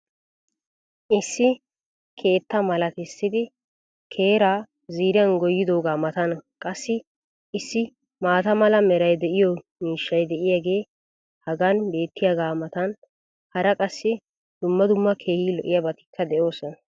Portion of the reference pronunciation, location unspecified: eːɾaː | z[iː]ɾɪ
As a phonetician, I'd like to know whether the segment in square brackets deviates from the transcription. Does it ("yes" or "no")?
no